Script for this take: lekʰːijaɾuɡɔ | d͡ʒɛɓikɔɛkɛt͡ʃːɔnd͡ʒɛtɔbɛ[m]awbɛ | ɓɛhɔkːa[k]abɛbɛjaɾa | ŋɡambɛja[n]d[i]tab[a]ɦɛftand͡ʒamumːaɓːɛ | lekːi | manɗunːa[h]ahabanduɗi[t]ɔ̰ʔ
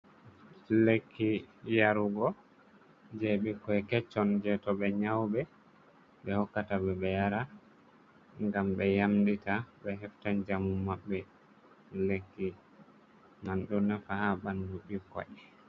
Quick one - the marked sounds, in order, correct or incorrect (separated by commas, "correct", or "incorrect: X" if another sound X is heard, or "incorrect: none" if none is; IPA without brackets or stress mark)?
incorrect: ɲ, incorrect: t, incorrect: m, correct, incorrect: ɛ, incorrect: f, incorrect: k